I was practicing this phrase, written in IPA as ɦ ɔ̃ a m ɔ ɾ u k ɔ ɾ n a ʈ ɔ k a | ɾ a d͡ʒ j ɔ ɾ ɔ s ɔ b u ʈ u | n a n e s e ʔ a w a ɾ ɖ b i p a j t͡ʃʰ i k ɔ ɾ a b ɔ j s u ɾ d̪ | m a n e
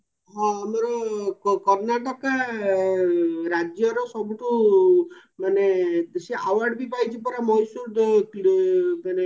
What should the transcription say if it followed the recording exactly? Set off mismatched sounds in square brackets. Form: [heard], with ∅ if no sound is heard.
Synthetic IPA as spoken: ɦ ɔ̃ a m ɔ ɾ [ɔ] k ɔ ɾ n a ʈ ɔ k a | ɾ a d͡ʒ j ɔ ɾ ɔ s ɔ b u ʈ u | [m] a n e s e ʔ a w a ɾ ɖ b i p a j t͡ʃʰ i [p] ɔ ɾ a [m] ɔ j s u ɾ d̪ | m a n e